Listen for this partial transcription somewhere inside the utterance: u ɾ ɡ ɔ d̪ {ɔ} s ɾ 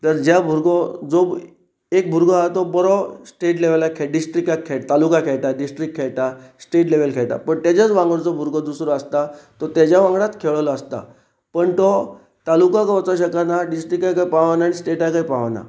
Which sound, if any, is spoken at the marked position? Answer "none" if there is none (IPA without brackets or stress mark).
u